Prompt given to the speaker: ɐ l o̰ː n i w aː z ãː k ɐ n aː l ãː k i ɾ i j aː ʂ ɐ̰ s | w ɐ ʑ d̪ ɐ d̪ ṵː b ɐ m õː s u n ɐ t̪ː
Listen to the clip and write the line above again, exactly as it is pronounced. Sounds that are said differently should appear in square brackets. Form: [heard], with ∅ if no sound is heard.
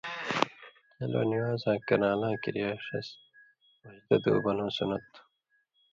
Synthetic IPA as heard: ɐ l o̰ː n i w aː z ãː k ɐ n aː l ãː k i ɾ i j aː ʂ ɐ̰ s | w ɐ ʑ d̪ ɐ d̪ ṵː b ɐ [n] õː s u n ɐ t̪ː